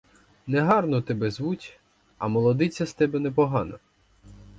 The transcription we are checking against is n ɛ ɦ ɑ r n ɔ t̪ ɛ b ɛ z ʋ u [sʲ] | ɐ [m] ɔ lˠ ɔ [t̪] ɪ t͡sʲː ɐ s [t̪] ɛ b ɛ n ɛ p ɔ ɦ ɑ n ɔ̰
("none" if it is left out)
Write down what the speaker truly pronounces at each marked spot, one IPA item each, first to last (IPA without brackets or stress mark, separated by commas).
tʲ, m, d̪, t̪